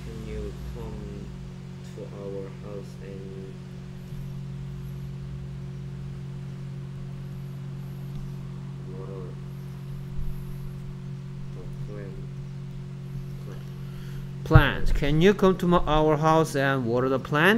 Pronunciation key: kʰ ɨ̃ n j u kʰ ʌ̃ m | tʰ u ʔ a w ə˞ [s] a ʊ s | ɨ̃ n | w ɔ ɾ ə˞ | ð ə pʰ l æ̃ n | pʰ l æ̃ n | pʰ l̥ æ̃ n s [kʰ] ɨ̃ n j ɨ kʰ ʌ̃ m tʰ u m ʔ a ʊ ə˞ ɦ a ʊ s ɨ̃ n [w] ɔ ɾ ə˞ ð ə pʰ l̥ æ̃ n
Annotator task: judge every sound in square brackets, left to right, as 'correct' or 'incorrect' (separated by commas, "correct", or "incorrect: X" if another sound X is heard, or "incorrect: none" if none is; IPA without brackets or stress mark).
incorrect: h, correct, correct